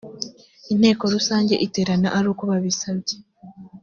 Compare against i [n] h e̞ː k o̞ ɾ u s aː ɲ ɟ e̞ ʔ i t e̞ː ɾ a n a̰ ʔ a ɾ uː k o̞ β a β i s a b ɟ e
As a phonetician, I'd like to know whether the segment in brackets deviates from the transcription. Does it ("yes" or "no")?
no